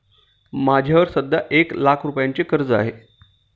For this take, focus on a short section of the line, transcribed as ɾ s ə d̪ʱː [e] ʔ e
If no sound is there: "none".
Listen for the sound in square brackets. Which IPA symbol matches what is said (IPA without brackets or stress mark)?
a